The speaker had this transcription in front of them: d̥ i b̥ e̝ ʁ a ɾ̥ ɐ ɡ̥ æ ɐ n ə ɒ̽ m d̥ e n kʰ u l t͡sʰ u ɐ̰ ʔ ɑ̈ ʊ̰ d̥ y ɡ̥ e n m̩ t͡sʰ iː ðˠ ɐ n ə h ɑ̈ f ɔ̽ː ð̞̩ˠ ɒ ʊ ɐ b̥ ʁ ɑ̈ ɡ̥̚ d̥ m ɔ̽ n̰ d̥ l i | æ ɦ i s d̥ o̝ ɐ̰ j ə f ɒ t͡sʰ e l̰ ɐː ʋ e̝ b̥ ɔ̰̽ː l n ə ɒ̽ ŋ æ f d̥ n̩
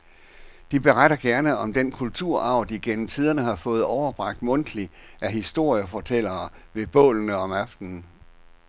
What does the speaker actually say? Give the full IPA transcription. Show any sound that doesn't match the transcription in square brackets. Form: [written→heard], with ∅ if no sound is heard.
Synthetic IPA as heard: d̥ i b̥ e̝ ʁ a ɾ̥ ɐ ɡ̥ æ ɐ n ə ɒ̽ m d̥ e n kʰ u l t͡sʰ u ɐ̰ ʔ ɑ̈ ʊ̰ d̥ [y→i] ɡ̥ e n m̩ t͡sʰ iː ðˠ ɐ n ə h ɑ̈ f ɔ̽ː ð̞̩ˠ ɒ ʊ ɐ b̥ ʁ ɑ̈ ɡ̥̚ d̥ m ɔ̽ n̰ d̥ l i | æ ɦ i s d̥ o̝ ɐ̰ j ə f ɒ t͡sʰ e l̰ ɐː ʋ e̝ b̥ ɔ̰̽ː l n ə ɒ̽ [ŋ→m] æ f d̥ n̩

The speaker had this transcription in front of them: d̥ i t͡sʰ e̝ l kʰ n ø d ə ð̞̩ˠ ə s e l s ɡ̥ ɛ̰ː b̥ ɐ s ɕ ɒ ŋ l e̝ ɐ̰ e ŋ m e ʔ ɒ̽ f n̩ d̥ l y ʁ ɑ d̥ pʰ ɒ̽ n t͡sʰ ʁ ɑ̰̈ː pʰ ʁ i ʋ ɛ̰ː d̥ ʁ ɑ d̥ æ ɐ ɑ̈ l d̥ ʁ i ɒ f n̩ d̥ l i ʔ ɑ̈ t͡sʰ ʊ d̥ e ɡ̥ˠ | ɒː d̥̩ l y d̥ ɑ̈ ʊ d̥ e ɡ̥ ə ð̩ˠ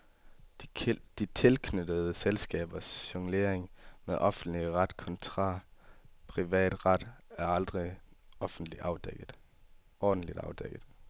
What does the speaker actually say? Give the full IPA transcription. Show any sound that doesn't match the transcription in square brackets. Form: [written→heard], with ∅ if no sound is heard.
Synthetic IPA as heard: d̥ i t͡sʰ e̝ l kʰ n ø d ə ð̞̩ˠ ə s e l s ɡ̥ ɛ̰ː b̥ ɐ s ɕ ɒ ŋ l e̝ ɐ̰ e ŋ m e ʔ ɒ̽ f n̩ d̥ l [y→i] ʁ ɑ d̥ [pʰ→kʰ] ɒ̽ n t͡sʰ ʁ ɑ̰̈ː pʰ ʁ i ʋ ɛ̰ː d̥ ʁ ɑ d̥ æ ɐ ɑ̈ l d̥ ʁ i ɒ f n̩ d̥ l i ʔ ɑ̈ [t͡sʰ→∅] ʊ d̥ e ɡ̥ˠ | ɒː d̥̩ l [y→i] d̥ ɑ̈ ʊ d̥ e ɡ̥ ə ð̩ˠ

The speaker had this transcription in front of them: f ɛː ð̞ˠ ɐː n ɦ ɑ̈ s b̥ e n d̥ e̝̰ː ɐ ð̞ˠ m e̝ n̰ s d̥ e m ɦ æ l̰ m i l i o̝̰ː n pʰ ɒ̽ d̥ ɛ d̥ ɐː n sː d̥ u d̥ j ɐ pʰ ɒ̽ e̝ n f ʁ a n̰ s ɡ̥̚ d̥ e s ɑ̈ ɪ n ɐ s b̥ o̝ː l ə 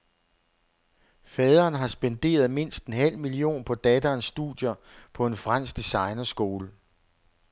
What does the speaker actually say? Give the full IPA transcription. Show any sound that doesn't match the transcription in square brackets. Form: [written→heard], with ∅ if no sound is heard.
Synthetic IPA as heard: f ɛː ð̞ˠ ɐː n ɦ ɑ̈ s b̥ e n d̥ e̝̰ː ɐ ð̞ˠ m e̝ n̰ s d̥ e [m→n] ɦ æ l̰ m i l i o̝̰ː n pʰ ɒ̽ d̥ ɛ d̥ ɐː n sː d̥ u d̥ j ɐ pʰ ɒ̽ e̝ n f ʁ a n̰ s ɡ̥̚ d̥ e s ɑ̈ ɪ n ɐ s [b̥→ɡ̥] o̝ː l ə

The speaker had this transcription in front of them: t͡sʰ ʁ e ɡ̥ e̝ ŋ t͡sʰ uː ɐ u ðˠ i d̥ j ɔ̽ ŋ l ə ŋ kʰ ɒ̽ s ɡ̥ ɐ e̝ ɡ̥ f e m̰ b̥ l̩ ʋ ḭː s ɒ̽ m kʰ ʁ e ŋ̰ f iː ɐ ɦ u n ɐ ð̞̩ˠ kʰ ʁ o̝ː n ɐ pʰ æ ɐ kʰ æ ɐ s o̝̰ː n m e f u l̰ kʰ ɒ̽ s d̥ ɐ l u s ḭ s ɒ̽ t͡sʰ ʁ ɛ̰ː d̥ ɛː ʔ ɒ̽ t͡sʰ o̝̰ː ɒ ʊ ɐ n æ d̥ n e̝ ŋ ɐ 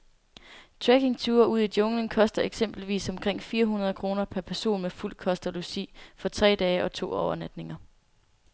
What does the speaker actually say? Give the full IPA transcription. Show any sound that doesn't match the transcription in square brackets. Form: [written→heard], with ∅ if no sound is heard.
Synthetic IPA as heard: t͡sʰ ʁ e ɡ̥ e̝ ŋ t͡sʰ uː ɐ u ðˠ i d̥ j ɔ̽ ŋ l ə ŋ kʰ ɒ̽ s [ɡ̥→d̥] ɐ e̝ ɡ̥ [f→s] e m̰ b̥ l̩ ʋ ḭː s ɒ̽ m kʰ ʁ e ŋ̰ f iː ɐ ɦ u n ɐ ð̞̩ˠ kʰ ʁ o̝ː n ɐ pʰ æ ɐ [kʰ→pʰ] æ ɐ s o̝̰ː n m e f u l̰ kʰ ɒ̽ s d̥ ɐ l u s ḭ [s→f] ɒ̽ t͡sʰ ʁ ɛ̰ː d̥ ɛː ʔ ɒ̽ t͡sʰ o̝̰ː ɒ ʊ ɐ n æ d̥ n e̝ ŋ ɐ

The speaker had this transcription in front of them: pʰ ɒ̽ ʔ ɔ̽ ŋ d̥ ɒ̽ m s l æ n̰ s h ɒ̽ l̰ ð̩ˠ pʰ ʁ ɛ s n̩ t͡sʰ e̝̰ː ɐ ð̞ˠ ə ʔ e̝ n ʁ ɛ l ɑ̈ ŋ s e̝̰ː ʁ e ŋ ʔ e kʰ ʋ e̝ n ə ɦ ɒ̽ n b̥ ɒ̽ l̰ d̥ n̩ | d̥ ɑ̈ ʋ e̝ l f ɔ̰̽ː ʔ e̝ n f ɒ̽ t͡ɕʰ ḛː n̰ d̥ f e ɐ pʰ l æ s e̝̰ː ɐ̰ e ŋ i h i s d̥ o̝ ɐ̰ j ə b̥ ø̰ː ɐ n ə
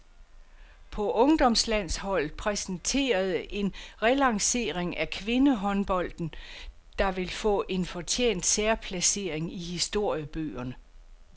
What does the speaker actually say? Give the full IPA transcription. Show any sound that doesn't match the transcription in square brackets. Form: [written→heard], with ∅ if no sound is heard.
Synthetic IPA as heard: pʰ ɒ̽ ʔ ɔ̽ ŋ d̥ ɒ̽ m s l æ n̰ s h ɒ̽ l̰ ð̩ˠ pʰ ʁ ɛ s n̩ t͡sʰ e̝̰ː ɐ ð̞ˠ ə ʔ e̝ n ʁ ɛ l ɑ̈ ŋ s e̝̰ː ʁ e ŋ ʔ [e→æ] kʰ ʋ e̝ n ə ɦ ɒ̽ n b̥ ɒ̽ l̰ d̥ n̩ | d̥ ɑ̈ ʋ e̝ l f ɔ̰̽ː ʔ e̝ n f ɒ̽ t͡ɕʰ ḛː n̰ d̥ [f→s] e ɐ pʰ l æ s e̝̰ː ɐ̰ e ŋ i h i s d̥ o̝ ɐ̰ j ə b̥ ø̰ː ɐ n ə

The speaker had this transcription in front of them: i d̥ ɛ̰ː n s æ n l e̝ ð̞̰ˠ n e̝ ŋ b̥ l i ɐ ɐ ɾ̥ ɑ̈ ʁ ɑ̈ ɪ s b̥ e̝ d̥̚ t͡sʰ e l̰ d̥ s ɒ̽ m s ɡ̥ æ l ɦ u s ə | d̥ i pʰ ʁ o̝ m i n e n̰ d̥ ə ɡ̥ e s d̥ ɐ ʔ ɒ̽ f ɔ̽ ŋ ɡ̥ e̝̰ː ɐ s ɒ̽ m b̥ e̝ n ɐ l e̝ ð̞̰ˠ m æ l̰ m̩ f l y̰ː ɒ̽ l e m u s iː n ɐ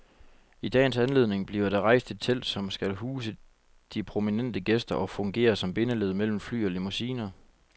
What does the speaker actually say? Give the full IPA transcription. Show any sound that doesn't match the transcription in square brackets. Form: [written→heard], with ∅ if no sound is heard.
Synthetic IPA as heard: i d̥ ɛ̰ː n s æ n l e̝ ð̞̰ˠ n e̝ ŋ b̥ l i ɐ ɐ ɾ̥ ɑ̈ ʁ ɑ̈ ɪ s [b̥→d̥] e̝ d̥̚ t͡sʰ e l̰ d̥ s ɒ̽ m s ɡ̥ æ l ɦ [u→uː] s ə | d̥ i pʰ ʁ o̝ m i n e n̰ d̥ ə ɡ̥ e s d̥ ɐ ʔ ɒ̽ f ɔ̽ ŋ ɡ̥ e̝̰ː ɐ s ɒ̽ m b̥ e̝ n [ɐ→ə] l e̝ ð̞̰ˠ m [æ→e] l̰ m̩ f l y̰ː ɒ̽ l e m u s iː n ɐ

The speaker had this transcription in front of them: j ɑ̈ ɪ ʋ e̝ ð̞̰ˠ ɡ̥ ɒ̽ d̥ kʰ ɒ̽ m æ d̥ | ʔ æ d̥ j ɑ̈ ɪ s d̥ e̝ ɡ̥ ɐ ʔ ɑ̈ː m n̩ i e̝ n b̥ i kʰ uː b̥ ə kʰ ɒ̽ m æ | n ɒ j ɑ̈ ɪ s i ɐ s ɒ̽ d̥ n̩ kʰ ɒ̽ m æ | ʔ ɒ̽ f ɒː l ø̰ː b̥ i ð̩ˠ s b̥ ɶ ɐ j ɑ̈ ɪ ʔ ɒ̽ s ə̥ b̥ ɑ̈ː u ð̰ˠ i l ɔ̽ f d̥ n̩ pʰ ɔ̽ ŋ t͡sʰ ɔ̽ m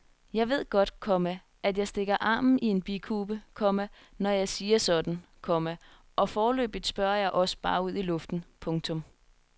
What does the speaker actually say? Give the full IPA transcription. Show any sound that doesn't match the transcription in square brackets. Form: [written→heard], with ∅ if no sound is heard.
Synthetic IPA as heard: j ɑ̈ ɪ ʋ e̝ ð̞̰ˠ ɡ̥ ɒ̽ d̥ kʰ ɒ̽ m æ [d̥→∅] | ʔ æ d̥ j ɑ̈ ɪ s d̥ e̝ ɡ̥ ɐ ʔ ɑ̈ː m n̩ i e̝ n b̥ i kʰ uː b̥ ə kʰ ɒ̽ m æ | n ɒ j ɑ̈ ɪ s [i→iː] ɐ s ɒ̽ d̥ n̩ kʰ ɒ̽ m æ | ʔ ɒ̽ f ɒː l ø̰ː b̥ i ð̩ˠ s b̥ ɶ ɐ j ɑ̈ ɪ ʔ ɒ̽ s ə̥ b̥ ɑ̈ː u ð̰ˠ i l ɔ̽ f d̥ n̩ pʰ ɔ̽ ŋ t͡sʰ ɔ̽ m

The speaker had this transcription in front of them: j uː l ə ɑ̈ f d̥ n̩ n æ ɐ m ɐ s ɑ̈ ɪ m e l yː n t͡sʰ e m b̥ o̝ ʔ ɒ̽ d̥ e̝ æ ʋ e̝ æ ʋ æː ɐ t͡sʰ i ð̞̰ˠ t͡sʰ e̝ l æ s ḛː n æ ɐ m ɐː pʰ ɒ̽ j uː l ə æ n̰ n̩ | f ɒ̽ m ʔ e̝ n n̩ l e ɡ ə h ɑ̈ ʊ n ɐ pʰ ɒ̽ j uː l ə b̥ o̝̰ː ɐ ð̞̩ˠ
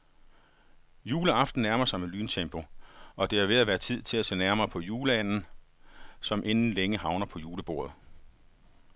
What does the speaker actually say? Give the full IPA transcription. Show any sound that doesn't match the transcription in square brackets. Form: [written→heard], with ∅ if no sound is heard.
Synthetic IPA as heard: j uː l ə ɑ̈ f d̥ n̩ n æ ɐ m ɐ s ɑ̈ ɪ m e l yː n t͡sʰ e m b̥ o̝ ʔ ɒ̽ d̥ e̝ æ ʋ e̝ æ ʋ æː ɐ t͡sʰ i ð̞̰ˠ t͡sʰ e̝ l æ s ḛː n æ ɐ m ɐː pʰ ɒ̽ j uː l ə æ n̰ n̩ | [f→s] ɒ̽ m ʔ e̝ n n̩ l e [ɡ→ŋ] ə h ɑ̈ ʊ n ɐ pʰ ɒ̽ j uː l ə b̥ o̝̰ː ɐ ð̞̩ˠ

